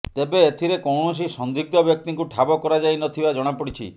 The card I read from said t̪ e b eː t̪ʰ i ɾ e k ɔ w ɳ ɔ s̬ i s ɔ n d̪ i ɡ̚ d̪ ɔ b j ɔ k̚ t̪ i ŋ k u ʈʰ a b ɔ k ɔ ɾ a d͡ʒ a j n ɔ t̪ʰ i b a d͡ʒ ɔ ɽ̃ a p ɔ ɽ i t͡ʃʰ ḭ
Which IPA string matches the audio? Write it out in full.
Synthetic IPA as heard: t̪ e b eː t̪ʰ i ɾ e k ɔ w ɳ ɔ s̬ i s ɔ n d̪ i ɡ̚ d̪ ɔ b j ɔ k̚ t̪ i ŋ k u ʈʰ a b ɔ k ɔ ɾ a d͡ʒ a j n ɔ t̪ʰ i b a d͡ʒ ɔ ɽ̃ a p ɔ ɽ i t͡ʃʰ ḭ